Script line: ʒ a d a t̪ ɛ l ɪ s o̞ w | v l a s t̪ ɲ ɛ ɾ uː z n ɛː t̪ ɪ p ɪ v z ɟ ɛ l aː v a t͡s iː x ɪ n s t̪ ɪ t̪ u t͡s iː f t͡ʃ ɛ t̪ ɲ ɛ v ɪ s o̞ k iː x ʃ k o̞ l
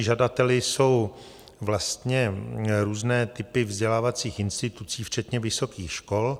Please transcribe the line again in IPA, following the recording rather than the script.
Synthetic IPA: ʒ a d a t̪ ɛ l ɪ s o̞ w | v l a s t̪ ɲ ɛ ɾ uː z n ɛː t̪ ɪ p ɪ v z ɟ ɛ l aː v a t͡s iː x ɪ n s t̪ ɪ t̪ u t͡s iː f t͡ʃ ɛ t̪ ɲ ɛ v ɪ s o̞ k iː x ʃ k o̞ l